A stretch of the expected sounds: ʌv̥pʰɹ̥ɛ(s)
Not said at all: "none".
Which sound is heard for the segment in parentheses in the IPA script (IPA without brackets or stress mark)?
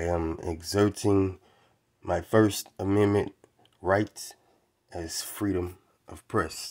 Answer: s